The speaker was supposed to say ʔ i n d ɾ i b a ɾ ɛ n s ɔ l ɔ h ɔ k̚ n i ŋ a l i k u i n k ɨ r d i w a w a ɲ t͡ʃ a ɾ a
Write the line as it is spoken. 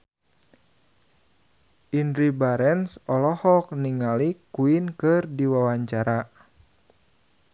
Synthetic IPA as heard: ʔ i n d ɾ i b a ɾ ɛ n s ɔ l ɔ h ɔ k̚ n i ŋ a l i k u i n k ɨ r d i w a w a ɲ t͡ʃ a ɾ a